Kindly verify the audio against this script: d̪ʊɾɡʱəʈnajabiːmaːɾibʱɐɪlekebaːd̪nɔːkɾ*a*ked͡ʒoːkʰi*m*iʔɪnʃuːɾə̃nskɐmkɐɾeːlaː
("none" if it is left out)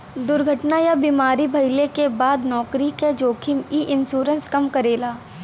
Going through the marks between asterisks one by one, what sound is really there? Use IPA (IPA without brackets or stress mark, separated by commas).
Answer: i, m